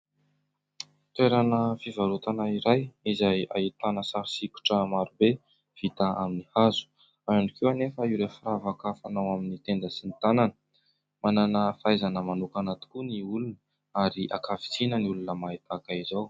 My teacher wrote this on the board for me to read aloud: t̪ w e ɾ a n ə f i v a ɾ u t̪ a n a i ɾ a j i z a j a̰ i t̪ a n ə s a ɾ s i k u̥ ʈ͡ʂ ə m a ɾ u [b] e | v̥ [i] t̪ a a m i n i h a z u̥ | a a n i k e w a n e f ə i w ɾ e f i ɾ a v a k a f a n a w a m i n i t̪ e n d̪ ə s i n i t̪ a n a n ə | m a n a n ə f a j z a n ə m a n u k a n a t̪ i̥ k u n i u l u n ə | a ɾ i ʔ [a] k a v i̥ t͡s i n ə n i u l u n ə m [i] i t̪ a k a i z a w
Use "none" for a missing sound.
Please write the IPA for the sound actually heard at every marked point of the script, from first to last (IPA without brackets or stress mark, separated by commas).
b, i, a, a